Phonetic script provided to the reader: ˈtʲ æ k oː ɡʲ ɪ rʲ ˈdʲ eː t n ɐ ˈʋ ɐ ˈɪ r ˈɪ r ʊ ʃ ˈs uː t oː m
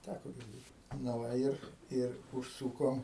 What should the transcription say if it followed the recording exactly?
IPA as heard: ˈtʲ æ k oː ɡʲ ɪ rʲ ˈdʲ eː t n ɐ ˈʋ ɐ ˈɪ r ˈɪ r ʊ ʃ ˈs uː k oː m